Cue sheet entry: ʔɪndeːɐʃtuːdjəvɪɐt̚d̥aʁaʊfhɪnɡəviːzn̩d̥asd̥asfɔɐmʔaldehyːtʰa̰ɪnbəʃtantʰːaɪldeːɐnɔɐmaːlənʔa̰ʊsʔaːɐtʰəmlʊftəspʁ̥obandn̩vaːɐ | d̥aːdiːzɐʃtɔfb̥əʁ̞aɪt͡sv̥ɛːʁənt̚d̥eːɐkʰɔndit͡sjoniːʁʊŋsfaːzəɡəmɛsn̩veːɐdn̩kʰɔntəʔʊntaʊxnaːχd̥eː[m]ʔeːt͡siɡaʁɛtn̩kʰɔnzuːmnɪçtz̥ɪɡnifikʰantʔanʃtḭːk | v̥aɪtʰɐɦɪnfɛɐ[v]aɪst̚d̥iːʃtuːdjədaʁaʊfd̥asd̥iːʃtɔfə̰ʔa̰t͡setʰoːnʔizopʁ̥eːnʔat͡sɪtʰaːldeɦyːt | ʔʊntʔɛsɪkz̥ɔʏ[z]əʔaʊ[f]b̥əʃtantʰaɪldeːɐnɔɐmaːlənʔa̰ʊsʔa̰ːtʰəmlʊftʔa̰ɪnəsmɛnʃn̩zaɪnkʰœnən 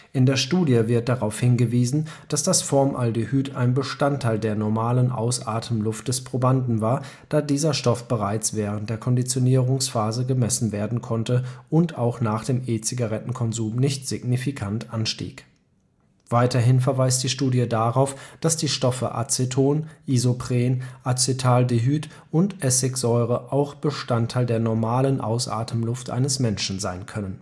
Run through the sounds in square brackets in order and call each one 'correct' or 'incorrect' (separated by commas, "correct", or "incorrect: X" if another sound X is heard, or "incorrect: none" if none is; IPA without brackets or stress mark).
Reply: correct, correct, incorrect: ʁ, incorrect: x